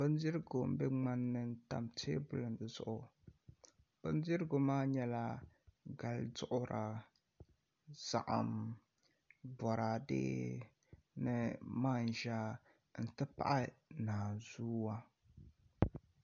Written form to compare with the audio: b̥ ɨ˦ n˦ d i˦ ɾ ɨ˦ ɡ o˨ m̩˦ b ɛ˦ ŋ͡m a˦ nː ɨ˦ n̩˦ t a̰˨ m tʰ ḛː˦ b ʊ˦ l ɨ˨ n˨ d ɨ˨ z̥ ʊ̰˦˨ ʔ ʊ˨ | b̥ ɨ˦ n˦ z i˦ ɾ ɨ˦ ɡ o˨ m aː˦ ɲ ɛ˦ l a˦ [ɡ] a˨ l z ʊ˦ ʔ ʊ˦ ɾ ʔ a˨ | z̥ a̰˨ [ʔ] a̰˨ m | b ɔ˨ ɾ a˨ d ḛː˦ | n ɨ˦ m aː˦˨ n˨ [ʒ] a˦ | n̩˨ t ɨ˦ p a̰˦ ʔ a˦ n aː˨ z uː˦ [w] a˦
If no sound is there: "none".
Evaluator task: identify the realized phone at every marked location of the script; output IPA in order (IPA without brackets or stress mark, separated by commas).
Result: ɡ, ʔ, ʒ, w